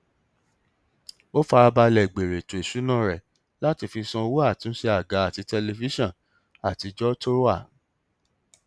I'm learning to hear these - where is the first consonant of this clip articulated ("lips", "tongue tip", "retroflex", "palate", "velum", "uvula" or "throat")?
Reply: lips